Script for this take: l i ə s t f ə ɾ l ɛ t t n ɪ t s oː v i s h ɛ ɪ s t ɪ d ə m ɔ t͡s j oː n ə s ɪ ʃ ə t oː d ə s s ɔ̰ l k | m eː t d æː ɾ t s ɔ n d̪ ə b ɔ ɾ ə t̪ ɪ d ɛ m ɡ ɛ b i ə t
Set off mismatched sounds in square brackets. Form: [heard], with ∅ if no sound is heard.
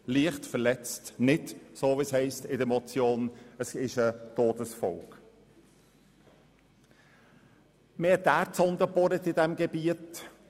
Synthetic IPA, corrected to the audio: l i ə [χ] t f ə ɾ l ɛ [t͡s] t n ɪ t s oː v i s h ɛ ɪ s t ɪ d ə m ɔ t͡s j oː n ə s ɪ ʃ ə t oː d ə s [f] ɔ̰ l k | m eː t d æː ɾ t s ɔ n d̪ ə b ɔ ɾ ə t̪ ɪ d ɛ m ɡ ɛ b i ə t